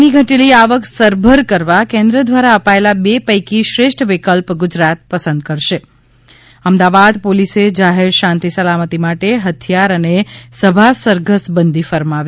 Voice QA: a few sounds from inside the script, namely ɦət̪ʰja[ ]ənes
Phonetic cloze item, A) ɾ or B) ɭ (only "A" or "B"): A